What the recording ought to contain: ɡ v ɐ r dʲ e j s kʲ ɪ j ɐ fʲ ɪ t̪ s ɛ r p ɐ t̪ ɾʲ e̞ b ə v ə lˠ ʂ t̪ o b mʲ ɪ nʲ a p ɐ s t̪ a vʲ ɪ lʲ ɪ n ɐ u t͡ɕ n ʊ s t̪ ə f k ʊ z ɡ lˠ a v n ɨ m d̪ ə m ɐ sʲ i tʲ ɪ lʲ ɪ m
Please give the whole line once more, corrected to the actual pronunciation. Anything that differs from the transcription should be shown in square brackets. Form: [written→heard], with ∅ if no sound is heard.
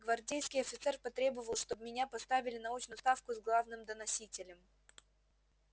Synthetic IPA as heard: ɡ v ɐ r dʲ e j s kʲ ɪ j ɐ fʲ ɪ t̪ s ɛ r p ɐ t̪ ɾʲ e̞ b ə v ə lˠ ʂ t̪ o b mʲ ɪ nʲ a p ɐ s t̪ a vʲ ɪ lʲ ɪ n ɐ u t͡ɕ n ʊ s t̪ [ə→a] f k ʊ z ɡ lˠ a v n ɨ m d̪ ə [m→n] ɐ sʲ i tʲ ɪ lʲ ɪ m